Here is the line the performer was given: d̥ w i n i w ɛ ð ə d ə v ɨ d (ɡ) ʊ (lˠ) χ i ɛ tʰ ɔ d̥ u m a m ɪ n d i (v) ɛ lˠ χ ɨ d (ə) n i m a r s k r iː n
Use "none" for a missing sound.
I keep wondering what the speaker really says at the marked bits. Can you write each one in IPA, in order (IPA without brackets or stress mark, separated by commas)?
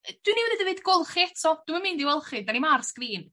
ɡ, lˠ, w, a